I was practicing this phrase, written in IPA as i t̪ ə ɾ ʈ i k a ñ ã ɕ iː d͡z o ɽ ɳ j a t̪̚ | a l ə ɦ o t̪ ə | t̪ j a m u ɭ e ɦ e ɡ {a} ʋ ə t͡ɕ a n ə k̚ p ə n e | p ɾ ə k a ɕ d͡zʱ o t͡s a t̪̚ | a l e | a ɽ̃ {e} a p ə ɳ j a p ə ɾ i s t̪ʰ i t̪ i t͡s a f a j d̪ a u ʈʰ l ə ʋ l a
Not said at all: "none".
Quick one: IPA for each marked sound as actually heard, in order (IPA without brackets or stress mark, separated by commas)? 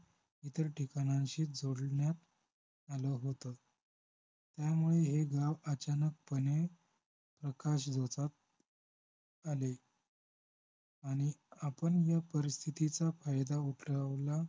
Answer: a, i